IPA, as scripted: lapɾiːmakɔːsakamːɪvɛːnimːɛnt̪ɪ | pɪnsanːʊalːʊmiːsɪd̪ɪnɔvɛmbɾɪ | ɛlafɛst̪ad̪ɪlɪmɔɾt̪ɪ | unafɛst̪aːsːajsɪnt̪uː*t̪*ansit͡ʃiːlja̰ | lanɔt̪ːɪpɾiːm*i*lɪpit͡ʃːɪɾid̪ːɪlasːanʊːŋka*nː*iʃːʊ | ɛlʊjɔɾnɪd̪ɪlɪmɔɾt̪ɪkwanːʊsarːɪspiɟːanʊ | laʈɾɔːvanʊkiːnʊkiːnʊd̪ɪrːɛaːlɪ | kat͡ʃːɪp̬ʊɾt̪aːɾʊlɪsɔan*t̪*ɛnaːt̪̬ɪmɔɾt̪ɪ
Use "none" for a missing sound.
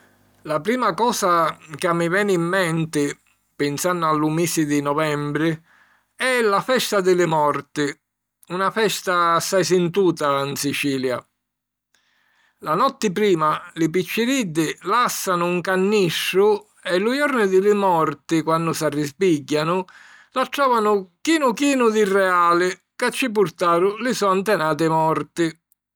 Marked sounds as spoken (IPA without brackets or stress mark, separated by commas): t̪, a, nː, t̪